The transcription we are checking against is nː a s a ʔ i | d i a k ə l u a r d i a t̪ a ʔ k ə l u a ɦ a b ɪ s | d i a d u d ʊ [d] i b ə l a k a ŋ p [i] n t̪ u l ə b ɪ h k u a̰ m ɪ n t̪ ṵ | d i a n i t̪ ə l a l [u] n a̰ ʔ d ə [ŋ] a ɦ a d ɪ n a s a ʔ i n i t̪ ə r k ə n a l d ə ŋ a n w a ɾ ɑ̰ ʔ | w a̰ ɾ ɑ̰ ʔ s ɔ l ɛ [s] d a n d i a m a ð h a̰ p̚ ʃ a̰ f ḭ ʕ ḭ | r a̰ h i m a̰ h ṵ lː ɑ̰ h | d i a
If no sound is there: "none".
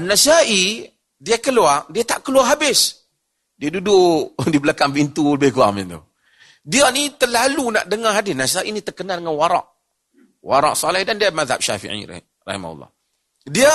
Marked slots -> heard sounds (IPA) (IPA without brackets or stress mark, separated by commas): d, i, u, ŋ, h